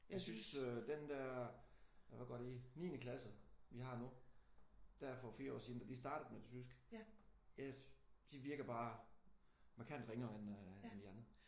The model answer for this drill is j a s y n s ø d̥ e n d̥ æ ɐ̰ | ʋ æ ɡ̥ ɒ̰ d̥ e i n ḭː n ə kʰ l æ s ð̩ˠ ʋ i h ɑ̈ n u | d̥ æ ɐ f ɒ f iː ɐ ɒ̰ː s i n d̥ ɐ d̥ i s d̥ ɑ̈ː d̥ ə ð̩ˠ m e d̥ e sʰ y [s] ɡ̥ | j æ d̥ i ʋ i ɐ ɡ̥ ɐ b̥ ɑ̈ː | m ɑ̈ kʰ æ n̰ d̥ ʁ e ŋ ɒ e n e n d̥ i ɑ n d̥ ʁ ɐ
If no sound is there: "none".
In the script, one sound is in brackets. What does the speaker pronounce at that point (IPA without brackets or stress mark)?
s